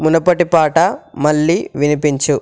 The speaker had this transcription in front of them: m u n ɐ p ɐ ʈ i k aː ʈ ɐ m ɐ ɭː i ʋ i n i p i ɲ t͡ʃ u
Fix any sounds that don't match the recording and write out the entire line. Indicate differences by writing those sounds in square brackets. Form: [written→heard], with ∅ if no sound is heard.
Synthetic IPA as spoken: m u n ɐ p ɐ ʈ i [k→p] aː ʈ ɐ m ɐ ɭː i ʋ i n i p i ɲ t͡ʃ u

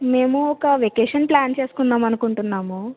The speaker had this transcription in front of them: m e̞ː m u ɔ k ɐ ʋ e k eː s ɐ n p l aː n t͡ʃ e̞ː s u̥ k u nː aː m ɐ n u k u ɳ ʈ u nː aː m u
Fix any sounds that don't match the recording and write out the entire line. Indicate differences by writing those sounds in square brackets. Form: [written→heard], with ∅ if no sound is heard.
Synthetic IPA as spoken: m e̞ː m u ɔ k ɐ ʋ e k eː [s→ʂ] ɐ n p l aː n t͡ʃ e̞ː s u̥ k u nː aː m ɐ n u k u ɳ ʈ u nː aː m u

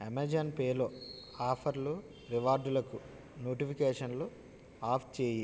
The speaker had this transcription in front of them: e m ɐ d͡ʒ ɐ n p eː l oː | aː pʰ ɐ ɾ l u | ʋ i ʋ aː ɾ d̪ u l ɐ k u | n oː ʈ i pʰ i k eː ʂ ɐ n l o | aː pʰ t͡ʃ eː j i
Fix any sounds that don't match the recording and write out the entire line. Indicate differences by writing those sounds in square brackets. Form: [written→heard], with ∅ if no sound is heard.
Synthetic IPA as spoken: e m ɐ d͡ʒ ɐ n p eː l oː | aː pʰ ɐ ɾ l u | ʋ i ʋ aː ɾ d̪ u l ɐ k u | n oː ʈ i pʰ i k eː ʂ ɐ n l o | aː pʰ t͡ʃ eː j i

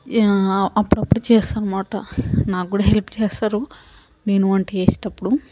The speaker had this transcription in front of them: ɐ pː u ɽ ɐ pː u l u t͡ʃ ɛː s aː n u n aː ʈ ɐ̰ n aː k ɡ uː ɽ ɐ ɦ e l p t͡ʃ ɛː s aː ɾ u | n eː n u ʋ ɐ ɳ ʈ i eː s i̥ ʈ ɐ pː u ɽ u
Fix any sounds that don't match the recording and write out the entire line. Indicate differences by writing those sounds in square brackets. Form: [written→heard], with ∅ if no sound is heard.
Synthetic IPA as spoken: ɐ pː u ɽ ɐ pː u [l→ɽ] u t͡ʃ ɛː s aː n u [n→m] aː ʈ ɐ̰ n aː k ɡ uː ɽ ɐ ɦ e l p t͡ʃ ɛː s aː ɾ u | n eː n u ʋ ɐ ɳ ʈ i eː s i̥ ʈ ɐ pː u ɽ u

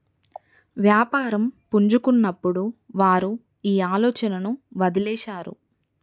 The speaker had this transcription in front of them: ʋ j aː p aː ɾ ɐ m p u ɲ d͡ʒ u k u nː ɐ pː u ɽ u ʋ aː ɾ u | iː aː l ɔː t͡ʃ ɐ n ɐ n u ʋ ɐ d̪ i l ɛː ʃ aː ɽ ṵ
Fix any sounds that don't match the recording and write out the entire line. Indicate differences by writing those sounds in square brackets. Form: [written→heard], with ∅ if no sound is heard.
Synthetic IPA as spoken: ʋ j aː p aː ɾ ɐ m p u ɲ d͡ʒ u k u nː ɐ pː u ɽ u ʋ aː ɾ u | iː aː l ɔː t͡ʃ ɐ n ɐ n u ʋ ɐ d̪ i l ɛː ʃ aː [ɽ→ɾ] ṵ

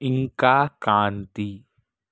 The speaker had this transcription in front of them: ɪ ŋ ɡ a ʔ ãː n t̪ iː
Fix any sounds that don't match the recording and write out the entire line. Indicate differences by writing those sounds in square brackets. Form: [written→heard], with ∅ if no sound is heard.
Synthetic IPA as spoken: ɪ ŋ [ɡ→k] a [ʔ→k] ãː n t̪ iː

